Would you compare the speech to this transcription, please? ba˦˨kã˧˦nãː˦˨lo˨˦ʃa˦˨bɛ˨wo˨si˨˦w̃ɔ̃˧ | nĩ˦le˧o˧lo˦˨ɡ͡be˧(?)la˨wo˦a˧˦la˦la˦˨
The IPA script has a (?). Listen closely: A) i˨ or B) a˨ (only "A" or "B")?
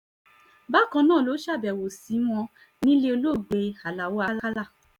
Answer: B